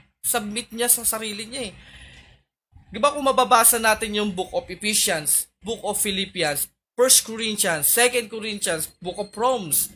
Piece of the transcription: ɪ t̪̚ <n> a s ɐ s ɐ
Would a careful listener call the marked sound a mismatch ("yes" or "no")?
yes